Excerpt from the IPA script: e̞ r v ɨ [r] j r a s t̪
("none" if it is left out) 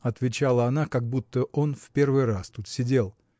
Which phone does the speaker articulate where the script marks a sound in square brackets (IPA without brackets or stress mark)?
none